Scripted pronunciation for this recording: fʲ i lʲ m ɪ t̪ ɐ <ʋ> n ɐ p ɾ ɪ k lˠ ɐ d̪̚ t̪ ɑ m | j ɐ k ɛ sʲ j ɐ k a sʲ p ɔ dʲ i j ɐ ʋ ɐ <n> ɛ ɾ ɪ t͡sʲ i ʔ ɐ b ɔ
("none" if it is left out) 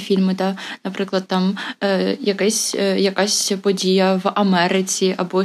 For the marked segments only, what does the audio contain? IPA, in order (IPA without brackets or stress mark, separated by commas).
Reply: none, m